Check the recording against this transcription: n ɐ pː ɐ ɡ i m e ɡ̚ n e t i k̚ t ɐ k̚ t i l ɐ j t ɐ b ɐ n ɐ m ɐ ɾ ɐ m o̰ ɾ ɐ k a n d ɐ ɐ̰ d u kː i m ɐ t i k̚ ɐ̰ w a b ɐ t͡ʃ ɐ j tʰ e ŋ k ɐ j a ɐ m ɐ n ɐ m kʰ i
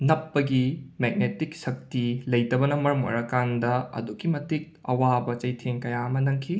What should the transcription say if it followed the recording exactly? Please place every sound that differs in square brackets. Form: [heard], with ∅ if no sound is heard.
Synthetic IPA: n ɐ pː ɐ ɡ i m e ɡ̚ n e t i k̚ [s] ɐ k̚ t i l ɐ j t ɐ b ɐ n ɐ m ɐ ɾ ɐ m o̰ ɾ ɐ k a n d ɐ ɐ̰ d u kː i m ɐ t i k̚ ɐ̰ w a b ɐ t͡ʃ ɐ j tʰ e ŋ k ɐ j a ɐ m ɐ n ɐ [ŋ] kʰ i